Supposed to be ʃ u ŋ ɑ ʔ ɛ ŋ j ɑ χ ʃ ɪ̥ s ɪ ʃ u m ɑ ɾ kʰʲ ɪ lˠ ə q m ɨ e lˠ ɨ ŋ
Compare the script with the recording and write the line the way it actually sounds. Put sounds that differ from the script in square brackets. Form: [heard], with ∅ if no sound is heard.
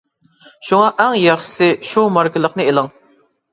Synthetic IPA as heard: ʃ u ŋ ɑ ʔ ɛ ŋ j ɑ χ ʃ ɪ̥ s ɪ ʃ u m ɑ ɾ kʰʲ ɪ lˠ ə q [n] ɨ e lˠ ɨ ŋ